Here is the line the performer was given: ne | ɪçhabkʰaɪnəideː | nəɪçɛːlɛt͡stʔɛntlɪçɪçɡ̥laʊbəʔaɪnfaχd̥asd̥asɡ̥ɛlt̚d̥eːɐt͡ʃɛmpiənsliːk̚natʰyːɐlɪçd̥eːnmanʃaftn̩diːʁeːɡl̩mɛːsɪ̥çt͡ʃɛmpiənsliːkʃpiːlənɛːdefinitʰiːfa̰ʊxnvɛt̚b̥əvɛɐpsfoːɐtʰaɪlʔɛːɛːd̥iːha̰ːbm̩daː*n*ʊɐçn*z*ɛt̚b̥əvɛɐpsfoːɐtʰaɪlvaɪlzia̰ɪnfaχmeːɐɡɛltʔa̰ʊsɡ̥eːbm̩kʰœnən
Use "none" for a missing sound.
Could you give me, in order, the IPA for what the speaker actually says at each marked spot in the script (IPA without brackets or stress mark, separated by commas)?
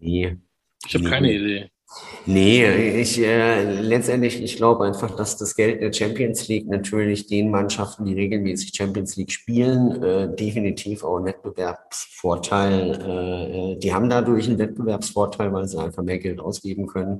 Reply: d, v